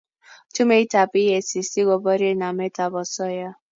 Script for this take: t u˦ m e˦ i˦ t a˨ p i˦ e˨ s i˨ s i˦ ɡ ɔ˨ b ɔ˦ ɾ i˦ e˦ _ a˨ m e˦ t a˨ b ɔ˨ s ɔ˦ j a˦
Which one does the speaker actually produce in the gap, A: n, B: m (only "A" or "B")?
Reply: A